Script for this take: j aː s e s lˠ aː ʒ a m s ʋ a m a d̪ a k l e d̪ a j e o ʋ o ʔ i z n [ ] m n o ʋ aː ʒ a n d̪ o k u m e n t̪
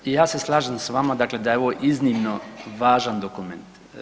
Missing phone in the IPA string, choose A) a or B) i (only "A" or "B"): B